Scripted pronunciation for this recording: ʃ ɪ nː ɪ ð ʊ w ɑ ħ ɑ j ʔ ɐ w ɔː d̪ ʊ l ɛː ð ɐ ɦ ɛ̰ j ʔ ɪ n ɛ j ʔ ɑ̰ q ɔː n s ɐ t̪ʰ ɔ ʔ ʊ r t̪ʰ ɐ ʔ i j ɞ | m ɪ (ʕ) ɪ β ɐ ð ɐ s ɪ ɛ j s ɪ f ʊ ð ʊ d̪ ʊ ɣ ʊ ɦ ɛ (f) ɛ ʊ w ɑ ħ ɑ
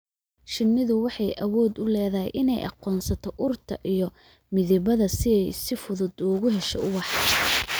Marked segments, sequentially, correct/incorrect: incorrect, incorrect

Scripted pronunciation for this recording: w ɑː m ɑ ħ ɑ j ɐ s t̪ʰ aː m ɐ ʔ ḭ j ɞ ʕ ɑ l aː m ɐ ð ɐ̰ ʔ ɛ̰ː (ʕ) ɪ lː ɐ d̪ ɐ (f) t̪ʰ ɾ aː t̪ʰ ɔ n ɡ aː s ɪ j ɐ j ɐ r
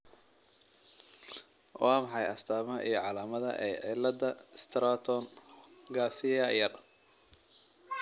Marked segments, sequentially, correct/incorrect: correct, incorrect

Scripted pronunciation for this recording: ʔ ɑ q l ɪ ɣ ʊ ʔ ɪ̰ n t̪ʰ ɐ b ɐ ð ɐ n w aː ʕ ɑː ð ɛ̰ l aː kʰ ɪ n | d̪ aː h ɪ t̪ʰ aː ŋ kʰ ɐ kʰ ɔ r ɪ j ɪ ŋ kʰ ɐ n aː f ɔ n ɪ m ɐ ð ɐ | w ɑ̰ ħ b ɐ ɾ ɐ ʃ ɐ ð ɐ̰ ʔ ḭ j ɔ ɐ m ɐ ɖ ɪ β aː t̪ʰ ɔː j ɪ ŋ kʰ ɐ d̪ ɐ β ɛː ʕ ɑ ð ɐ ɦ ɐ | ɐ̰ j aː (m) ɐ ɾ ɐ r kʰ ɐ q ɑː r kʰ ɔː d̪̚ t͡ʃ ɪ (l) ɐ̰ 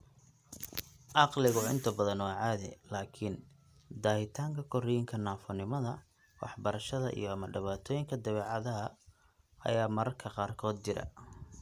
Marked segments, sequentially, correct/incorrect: correct, incorrect

